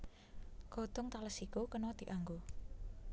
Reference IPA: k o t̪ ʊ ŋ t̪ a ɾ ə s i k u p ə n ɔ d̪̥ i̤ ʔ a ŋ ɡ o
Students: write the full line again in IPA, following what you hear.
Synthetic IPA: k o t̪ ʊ ŋ t̪ a l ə s i k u k ə n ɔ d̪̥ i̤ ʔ a ŋ ɡ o